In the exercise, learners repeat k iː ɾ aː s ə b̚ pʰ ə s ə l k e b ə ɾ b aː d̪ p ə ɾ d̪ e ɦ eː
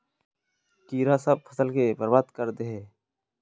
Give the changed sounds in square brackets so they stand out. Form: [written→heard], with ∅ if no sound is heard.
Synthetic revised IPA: k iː ɾ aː s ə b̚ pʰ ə s ə l k e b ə ɾ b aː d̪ [p→k] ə ɾ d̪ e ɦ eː